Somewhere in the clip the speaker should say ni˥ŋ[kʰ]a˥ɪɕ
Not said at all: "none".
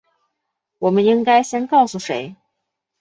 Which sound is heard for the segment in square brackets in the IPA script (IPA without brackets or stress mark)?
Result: k